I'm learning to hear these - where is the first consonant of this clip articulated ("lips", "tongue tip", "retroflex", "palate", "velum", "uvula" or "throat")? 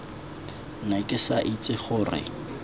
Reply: tongue tip